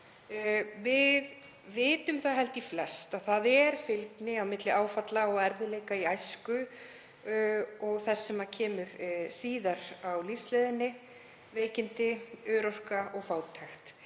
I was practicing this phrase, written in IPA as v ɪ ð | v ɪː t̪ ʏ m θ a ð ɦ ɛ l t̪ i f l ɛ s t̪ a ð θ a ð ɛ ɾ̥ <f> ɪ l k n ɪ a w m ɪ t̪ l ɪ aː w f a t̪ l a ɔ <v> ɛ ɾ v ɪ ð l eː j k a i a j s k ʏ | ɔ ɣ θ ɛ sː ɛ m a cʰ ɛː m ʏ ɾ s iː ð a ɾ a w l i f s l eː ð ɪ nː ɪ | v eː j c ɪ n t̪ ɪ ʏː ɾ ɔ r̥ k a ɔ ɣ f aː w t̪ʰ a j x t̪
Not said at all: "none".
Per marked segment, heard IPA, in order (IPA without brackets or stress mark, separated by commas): f, ɣ